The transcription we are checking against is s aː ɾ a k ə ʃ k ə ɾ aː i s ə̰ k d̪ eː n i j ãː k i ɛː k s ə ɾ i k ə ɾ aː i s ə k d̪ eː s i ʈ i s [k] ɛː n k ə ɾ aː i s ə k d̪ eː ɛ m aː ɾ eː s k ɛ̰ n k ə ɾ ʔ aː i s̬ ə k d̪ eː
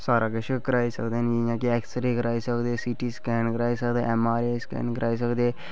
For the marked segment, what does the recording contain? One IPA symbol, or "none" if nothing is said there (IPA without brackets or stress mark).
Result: k